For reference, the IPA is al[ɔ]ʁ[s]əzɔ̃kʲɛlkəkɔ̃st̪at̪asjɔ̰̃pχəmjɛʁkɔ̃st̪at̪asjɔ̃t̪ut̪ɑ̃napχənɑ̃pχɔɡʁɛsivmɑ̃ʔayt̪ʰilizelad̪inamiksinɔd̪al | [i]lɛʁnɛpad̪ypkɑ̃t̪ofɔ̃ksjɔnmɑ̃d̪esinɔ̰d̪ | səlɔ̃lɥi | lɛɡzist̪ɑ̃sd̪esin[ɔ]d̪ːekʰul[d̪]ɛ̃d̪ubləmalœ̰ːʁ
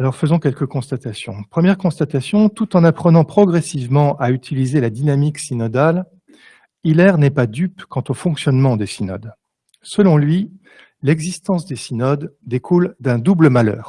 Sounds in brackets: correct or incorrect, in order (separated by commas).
correct, incorrect, correct, correct, correct